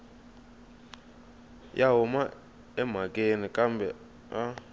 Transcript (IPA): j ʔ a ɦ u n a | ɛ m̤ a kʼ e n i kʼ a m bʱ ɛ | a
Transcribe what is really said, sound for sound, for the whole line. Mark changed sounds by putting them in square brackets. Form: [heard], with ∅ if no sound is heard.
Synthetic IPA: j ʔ a ɦ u [m] a | ɛ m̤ a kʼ e n i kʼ a m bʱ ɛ | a